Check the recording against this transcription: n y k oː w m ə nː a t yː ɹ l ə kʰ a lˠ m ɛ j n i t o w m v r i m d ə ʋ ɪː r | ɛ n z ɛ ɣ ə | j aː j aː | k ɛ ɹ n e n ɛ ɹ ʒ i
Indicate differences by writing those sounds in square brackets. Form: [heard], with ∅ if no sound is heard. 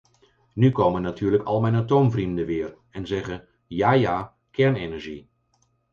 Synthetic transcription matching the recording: n y k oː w m ə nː a t yː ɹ l ə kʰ [ɑ] lˠ m ɛ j n [a] t o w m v r i m d ə ʋ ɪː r | ɛ n z ɛ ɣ ə | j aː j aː | k ɛ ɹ n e n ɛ ɹ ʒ i

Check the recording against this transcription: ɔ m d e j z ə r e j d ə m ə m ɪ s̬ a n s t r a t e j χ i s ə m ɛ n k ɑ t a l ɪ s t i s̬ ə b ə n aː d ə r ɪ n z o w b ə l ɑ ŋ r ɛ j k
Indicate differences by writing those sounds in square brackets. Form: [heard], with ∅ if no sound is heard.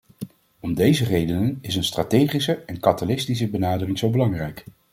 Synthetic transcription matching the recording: ɔ m d e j z ə r e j d ə [n] ə [n] ɪ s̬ [ə] n s t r a t e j χ i s ə [∅] ɛ n k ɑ t a l ɪ s t i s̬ ə b ə n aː d ə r ɪ [ŋ] z o w b ə l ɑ ŋ r ɛ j k

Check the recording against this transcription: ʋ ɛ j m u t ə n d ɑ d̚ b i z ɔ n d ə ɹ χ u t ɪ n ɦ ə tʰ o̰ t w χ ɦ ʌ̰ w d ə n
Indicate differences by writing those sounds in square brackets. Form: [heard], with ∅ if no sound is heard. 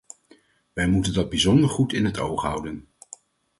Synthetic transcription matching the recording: ʋ ɛ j m u t ə n d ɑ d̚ b i z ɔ n d ə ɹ χ u t ɪ n ɦ ə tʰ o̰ [∅] w χ ɦ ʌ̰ w d ə n

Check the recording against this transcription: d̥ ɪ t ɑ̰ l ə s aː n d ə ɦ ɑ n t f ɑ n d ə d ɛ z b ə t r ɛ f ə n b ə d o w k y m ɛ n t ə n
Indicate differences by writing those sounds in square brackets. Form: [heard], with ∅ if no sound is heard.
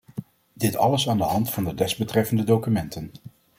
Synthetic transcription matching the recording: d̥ ɪ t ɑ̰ l ə s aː n d ə ɦ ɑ n t f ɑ n d ə d ɛ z b ə t r ɛ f ə n [d] ə d o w k y m ɛ n t ə n

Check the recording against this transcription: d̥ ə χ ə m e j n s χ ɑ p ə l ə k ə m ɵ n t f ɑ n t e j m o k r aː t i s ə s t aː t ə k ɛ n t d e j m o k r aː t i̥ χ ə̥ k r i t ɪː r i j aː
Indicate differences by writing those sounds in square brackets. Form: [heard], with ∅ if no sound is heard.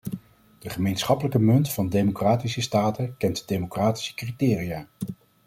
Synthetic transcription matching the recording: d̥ ə χ ə m e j n s χ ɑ p ə l ə k ə m ɵ n t f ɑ n [d] e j m o k r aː t i s ə s t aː t ə k ɛ n t d e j m o k r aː t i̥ [s] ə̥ k r i t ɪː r i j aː

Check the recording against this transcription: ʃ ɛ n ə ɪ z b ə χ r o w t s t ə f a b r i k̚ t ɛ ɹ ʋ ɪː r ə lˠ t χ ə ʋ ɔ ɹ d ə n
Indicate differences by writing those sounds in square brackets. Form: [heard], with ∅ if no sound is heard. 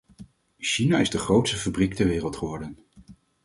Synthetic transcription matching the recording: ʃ [i] n [a] ɪ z [d] ə χ r o w t s t ə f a b r i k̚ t ɛ ɹ ʋ ɪː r ə lˠ t χ ə ʋ ɔ ɹ d ə n

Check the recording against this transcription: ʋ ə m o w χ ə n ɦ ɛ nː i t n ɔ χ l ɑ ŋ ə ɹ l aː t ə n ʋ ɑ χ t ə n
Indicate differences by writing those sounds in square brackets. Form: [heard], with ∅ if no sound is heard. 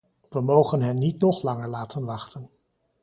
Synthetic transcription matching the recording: ʋ ə m o w χ ə n ɦ ɛ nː i t n ɔ χ l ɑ ŋ ə ɹ l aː t ə n ʋ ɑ χ t ə n

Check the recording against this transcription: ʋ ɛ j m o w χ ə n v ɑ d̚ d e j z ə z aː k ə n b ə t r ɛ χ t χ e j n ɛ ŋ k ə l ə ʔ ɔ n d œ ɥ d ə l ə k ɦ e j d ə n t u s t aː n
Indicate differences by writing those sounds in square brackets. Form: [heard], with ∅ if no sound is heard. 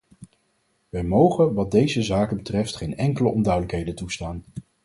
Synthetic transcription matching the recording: ʋ ɛ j m o w χ ə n [ʋ] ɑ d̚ d e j z ə z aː k ə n b ə t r ɛ [f] t χ e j n ɛ ŋ k ə l ə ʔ ɔ n d œ ɥ d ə l ə k ɦ e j d ə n t u s t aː n

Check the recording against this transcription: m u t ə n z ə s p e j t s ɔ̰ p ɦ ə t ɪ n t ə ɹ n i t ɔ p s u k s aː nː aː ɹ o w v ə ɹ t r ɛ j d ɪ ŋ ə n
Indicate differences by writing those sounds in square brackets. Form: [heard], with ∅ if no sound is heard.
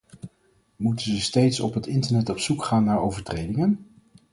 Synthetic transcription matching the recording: m u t ə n z ə s [t] e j t s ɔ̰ p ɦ ə t ɪ n t ə ɹ n [ɛ] t ɔ p s u k [χ] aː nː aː ɹ o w v ə ɹ t r [e] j d ɪ ŋ ə n

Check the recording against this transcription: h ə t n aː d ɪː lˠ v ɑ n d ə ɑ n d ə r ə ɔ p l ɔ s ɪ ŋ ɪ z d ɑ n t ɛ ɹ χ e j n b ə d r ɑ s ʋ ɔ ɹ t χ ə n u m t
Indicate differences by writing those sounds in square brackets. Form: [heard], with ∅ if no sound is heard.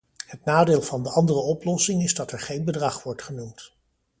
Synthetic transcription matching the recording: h ə t n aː d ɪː lˠ v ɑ n d ə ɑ n d ə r ə ɔ p l ɔ s ɪ ŋ ɪ z d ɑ [∅] t ɛ ɹ χ e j n b ə d r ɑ [χ] ʋ ɔ ɹ t χ ə n u m t

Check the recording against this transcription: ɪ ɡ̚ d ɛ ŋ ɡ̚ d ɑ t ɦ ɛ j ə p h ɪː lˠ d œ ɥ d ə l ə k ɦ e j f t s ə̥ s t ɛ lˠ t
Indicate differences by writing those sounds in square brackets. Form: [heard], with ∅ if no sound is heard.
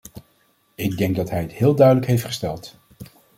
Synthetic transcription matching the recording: ɪ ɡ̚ d ɛ ŋ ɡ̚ d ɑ t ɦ ɛ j ə [t] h ɪː lˠ d œ ɥ d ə l ə k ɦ e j f t [χ] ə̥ s t ɛ lˠ t

